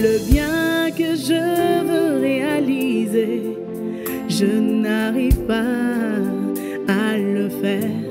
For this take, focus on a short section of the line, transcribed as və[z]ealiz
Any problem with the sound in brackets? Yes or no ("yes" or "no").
yes